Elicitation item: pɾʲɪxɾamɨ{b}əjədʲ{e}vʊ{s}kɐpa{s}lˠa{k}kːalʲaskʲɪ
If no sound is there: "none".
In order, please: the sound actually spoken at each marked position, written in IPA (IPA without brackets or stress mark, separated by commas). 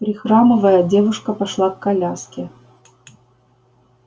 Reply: v, e, ʂ, ʂ, k